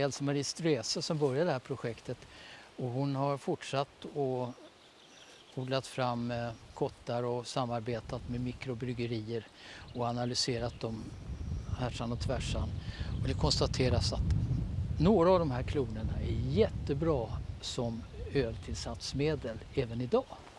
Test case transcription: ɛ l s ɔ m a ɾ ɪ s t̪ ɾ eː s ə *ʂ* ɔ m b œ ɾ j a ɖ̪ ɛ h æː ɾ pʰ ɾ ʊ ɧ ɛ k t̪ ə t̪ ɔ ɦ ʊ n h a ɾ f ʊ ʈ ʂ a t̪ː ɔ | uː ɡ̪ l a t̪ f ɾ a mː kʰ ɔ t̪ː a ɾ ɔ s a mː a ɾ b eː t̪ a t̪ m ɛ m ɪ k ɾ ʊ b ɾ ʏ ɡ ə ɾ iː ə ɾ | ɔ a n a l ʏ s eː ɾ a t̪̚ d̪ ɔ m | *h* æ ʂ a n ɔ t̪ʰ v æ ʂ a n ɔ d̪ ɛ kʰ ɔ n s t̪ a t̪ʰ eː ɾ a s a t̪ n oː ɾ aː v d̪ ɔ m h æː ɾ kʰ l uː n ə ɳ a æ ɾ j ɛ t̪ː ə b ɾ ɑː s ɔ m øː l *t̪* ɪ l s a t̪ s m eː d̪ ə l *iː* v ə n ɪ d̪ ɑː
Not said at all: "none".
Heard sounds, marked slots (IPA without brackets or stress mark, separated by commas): s, h, t̪ʰ, ɛː